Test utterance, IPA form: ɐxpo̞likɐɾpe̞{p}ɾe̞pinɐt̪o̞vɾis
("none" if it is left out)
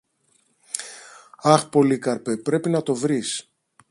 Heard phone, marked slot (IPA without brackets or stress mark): p